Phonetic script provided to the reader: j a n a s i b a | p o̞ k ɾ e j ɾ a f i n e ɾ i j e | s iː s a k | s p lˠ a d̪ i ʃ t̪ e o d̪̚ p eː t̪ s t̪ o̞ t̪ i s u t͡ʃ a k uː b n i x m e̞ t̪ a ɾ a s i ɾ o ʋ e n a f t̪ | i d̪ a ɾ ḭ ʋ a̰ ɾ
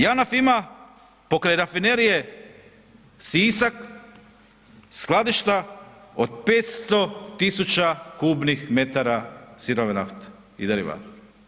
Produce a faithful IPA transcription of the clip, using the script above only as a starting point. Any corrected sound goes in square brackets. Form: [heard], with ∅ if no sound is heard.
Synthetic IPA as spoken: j a n a [f] i [m] a | p o̞ k ɾ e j ɾ a f i n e ɾ i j e | s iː s a k | s [k] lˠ a d̪ i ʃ t̪ [a] o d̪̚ p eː t̪ s t̪ o̞ t̪ i s u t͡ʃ a k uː b n i x m e̞ t̪ a ɾ a s i ɾ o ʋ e n a f t̪ | i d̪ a ɾ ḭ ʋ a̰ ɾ